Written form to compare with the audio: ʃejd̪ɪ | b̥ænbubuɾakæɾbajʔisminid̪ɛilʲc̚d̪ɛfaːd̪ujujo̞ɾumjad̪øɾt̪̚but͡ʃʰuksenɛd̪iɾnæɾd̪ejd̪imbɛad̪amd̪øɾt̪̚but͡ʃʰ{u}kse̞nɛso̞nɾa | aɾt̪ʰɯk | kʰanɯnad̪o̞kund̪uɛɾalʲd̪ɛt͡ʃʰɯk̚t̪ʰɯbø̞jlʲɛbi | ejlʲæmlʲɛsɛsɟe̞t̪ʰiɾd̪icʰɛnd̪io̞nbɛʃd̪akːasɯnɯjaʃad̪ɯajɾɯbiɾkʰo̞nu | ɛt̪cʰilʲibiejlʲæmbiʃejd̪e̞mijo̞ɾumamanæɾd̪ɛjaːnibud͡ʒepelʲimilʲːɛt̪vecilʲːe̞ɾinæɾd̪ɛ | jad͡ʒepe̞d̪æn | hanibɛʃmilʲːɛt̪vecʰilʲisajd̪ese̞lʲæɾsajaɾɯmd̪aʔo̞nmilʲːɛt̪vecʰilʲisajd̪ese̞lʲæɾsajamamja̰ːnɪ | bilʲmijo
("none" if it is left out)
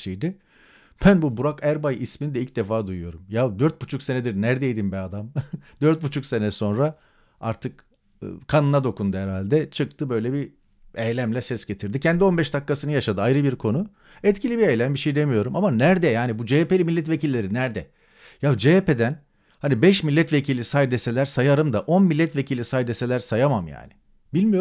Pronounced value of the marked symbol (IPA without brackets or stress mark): u